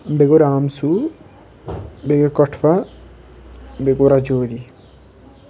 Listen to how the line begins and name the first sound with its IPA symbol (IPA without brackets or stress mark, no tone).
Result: b